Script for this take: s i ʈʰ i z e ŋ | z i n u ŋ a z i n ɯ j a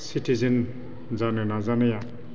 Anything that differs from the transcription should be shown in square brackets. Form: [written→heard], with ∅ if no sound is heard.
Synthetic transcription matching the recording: s i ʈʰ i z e [ŋ→n] | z [i→a] n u [ŋ→n] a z [i→a] n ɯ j a